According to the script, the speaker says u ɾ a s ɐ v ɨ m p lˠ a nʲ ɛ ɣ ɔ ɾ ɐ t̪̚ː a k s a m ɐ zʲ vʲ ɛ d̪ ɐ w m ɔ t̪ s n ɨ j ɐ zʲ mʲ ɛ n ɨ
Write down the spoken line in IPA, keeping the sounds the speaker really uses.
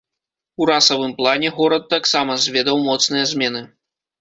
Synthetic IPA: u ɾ a s ɐ v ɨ m p lˠ a nʲ ɛ ɣ ɔ ɾ ɐ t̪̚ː a k s a m ɐ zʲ vʲ ɛ d̪ ɐ w m ɔ t̪ s n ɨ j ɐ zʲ mʲ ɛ n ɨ